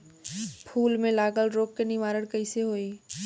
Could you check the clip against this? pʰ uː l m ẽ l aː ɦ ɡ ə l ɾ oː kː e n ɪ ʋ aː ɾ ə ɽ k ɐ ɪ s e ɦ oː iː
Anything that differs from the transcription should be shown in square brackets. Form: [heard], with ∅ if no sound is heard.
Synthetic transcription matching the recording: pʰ uː l m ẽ l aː [∅] ɡ ə l ɾ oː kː e n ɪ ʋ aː ɾ ə ɽ k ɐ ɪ s e ɦ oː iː